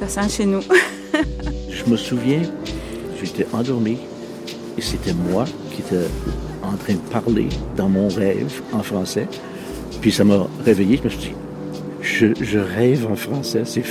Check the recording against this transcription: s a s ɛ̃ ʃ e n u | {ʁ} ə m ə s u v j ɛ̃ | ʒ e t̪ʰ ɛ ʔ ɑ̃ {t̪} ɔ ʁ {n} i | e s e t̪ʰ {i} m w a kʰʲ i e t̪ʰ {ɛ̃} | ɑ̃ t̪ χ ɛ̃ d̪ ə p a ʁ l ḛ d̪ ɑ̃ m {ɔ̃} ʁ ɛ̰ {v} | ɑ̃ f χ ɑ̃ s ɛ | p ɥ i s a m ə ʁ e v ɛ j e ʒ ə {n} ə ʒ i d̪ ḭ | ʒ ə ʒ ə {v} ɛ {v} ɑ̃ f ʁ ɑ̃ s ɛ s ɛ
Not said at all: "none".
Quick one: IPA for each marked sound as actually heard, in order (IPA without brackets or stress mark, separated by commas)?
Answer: ʒ, d̪, m, ɛ, ɛ, ɔ̃, v, m, ʁ, v